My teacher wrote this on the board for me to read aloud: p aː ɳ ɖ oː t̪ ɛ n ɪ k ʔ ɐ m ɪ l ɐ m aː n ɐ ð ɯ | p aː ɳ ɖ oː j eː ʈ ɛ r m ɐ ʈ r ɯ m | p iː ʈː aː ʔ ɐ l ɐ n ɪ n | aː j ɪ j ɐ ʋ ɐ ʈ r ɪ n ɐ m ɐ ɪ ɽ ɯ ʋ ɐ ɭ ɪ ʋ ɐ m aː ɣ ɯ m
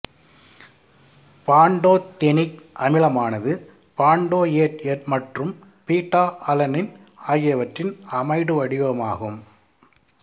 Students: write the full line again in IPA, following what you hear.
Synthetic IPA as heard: p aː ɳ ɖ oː t̪ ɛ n ɪ k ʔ ɐ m ɪ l ɐ m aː n ɐ ð ɯ | p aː ɳ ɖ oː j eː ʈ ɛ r m ɐ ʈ r ɯ m | p iː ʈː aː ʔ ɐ l ɐ n ɪ n | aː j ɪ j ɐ ʋ ɐ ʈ r ɪ n ɐ m ɐ ɪ ɽ ɯ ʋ ɐ ɽ ɪ ʋ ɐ m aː ɣ ɯ m